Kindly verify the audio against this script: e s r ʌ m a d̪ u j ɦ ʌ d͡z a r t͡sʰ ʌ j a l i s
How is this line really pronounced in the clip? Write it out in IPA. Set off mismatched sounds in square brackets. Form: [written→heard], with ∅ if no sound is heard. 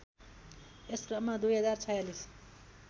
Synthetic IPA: e s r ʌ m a d̪ u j ɦ ʌ d͡z a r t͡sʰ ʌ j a l i s